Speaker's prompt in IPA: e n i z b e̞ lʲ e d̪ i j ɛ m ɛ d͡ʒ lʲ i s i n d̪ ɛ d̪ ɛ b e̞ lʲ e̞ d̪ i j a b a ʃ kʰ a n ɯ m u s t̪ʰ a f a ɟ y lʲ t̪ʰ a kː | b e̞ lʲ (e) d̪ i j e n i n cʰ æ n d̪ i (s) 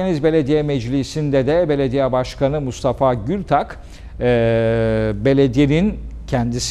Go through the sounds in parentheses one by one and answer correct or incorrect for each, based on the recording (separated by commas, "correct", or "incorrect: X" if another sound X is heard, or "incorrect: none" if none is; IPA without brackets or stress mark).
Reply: correct, correct